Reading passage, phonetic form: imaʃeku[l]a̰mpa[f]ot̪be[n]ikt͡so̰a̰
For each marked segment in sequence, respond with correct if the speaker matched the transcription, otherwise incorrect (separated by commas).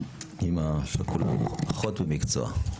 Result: correct, incorrect, incorrect